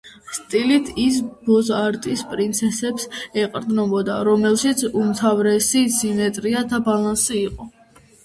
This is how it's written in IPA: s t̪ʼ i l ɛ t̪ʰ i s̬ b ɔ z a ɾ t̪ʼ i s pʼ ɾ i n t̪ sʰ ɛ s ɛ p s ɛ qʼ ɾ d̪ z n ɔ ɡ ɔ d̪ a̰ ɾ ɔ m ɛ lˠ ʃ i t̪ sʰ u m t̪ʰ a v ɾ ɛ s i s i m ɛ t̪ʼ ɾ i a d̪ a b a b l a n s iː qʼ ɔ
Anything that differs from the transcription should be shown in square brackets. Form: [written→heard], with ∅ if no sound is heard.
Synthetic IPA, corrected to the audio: s t̪ʼ i l [ɛ→i] t̪ʰ i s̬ b ɔ z a ɾ t̪ʼ i s pʼ ɾ i n t̪ sʰ ɛ s ɛ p s ɛ qʼ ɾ d̪ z n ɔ [ɡ→b] ɔ d̪ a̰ ɾ ɔ m ɛ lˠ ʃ i t̪ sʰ u m t̪ʰ a v ɾ ɛ s i s i m ɛ t̪ʼ ɾ i a d̪ a b a [b→∅] l a n s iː qʼ ɔ